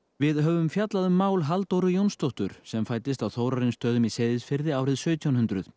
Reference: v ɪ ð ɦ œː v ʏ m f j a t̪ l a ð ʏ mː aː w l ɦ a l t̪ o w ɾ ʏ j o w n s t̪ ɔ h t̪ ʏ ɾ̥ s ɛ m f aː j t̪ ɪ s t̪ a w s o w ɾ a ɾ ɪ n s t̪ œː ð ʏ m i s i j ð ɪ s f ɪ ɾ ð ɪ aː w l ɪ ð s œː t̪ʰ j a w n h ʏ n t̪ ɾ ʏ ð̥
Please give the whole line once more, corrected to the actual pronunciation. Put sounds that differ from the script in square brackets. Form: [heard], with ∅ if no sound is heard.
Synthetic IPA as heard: v ɪ ð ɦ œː v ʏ m f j a t̪ l a ð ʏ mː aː w l ɦ a l t̪ o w ɾ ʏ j o w n s t̪ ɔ h t̪ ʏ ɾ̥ s ɛ m f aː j t̪ ɪ s t̪ a w [θ] o w ɾ a ɾ ɪ n s t̪ œː ð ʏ m i s [e] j ð ɪ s f ɪ ɾ ð ɪ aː w [ɾ] ɪ ð s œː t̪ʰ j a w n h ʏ n t̪ ɾ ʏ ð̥